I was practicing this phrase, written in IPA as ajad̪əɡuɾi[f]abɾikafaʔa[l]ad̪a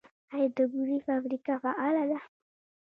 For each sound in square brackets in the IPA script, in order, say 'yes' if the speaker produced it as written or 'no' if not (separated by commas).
yes, yes